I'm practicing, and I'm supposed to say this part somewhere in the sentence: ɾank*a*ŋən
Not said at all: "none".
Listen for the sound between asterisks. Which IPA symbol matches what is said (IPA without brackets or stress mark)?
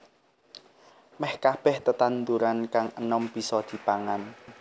a